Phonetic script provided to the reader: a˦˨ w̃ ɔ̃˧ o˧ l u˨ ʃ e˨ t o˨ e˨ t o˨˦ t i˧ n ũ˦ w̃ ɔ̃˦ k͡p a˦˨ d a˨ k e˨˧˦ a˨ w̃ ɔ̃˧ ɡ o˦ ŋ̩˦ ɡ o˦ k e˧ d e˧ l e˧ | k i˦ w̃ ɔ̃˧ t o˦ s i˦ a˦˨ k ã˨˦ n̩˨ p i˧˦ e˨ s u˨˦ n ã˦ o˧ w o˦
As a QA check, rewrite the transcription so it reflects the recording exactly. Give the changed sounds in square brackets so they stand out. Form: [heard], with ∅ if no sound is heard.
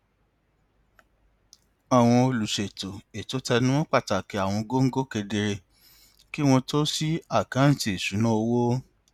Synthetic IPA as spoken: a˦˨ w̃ ɔ̃˧ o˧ l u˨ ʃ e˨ t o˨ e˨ t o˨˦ t [ɛ˧] n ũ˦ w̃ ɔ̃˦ k͡p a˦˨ [t] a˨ k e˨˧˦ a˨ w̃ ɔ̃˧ ɡ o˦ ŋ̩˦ ɡ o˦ k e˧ d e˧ [ɾ] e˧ | k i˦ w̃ ɔ̃˧ t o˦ s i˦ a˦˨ k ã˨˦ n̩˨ [t] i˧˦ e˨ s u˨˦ n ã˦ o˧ w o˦